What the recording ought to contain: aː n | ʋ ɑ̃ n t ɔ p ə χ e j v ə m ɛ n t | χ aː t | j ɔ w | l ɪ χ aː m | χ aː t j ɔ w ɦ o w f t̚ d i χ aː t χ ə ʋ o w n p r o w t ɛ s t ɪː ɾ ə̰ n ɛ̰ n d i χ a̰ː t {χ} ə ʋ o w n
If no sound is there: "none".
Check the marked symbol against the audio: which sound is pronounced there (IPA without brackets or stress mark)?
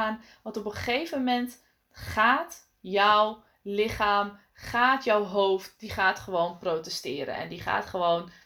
χ